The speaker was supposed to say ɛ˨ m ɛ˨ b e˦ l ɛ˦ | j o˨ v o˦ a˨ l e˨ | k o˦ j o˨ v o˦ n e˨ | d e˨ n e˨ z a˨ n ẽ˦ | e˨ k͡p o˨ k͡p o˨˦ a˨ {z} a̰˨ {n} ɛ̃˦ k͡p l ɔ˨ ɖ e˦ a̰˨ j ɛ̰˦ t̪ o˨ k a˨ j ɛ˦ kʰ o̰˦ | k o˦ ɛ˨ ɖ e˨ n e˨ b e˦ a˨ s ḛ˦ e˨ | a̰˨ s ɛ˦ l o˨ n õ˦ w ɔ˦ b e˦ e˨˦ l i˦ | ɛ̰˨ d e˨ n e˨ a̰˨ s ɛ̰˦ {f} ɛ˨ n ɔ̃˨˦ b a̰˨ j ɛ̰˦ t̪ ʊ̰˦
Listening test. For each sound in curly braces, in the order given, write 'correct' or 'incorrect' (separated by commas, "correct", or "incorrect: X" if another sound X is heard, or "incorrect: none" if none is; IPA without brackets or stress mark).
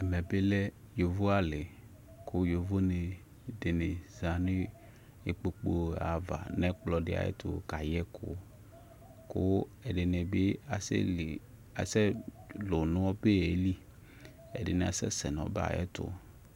incorrect: v, correct, incorrect: s